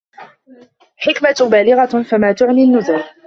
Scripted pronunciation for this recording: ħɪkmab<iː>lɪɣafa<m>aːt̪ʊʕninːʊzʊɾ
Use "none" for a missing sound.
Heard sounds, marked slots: aː, m

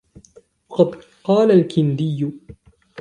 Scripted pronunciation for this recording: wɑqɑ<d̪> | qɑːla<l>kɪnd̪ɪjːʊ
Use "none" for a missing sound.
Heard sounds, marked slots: d̪, l

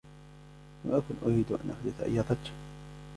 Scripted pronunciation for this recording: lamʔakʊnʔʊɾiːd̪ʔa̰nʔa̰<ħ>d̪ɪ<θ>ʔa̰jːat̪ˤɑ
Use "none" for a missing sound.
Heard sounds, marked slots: ħ, θ

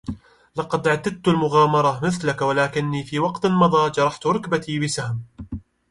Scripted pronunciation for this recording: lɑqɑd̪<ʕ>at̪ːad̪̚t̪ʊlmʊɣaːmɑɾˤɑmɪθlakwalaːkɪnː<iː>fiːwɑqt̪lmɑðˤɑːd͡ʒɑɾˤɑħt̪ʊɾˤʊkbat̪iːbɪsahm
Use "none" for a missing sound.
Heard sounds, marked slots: ʕ, iː

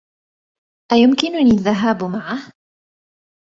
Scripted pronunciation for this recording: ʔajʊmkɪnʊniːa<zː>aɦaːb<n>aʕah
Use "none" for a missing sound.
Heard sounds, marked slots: ðː, m

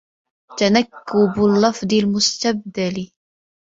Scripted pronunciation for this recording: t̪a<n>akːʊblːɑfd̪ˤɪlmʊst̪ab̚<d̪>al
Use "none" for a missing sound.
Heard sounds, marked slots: n, d̪

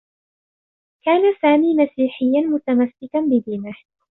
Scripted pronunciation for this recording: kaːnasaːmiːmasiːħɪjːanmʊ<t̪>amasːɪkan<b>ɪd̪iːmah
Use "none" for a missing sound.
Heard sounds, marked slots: t̪, b

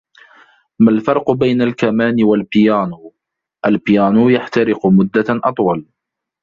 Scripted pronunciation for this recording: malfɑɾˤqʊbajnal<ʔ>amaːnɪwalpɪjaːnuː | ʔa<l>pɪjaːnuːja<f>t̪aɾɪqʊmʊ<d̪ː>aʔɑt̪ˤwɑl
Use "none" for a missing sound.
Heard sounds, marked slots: k, l, ħ, d̪ː

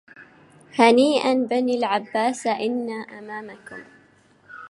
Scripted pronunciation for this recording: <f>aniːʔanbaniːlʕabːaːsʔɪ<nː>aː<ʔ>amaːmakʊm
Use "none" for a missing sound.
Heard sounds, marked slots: h, nː, ʔ

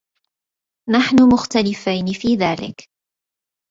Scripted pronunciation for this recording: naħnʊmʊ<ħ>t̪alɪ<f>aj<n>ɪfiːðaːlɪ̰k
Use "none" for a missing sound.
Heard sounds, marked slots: x, f, n

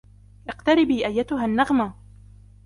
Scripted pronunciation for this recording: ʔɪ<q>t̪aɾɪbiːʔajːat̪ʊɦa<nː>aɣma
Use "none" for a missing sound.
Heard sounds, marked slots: q, nː

